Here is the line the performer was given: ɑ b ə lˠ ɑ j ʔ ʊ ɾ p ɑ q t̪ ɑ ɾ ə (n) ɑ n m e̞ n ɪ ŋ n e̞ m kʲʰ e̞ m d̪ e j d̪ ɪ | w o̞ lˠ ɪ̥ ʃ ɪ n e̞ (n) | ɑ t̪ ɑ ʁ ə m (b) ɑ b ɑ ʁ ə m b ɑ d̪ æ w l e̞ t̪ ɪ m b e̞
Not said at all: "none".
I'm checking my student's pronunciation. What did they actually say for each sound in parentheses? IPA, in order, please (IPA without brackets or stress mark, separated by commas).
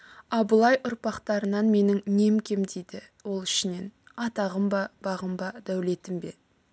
n, n, b